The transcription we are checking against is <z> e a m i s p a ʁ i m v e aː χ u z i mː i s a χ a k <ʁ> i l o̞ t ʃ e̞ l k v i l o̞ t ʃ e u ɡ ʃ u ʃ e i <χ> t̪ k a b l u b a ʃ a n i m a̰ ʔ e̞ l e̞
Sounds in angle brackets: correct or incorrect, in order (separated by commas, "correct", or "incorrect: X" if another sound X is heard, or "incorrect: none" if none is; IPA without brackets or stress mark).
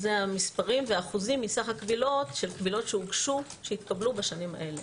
correct, incorrect: v, incorrect: none